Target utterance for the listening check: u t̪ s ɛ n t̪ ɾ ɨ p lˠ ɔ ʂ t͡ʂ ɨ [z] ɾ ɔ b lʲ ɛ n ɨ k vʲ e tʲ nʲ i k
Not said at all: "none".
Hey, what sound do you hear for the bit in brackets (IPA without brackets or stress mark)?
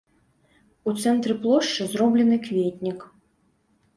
z